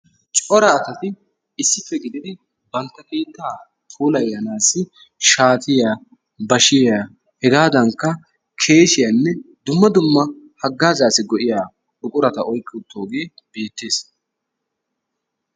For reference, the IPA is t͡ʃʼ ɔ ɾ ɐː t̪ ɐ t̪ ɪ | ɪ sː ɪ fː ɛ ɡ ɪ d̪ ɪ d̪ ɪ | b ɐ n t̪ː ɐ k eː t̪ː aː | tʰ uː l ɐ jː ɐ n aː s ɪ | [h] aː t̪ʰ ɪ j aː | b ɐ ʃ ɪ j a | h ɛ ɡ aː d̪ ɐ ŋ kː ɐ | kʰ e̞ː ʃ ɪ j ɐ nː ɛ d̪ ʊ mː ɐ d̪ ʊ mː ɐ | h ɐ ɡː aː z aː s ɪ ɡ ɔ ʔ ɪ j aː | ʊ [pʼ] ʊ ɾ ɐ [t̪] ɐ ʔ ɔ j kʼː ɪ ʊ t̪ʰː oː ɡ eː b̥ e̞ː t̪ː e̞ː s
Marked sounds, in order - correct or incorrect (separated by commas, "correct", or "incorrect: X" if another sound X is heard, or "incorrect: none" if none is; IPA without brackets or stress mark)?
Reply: incorrect: ʃ, incorrect: kʼ, correct